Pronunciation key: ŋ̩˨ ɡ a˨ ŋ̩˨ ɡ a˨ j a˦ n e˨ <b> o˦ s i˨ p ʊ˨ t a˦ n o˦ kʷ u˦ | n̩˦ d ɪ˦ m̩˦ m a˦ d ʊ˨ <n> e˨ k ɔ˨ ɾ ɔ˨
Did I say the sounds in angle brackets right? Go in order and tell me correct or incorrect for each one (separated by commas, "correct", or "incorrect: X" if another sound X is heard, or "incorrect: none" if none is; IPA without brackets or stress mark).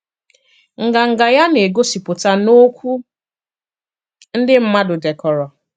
incorrect: ɡ, incorrect: d